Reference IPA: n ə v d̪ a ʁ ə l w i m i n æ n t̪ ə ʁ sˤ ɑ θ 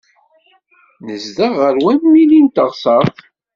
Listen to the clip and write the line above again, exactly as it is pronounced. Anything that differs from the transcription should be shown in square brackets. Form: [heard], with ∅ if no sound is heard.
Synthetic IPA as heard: n ə [z] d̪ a ʁ ə [ɾ] w [æ] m i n [i] n t̪ ə ʁ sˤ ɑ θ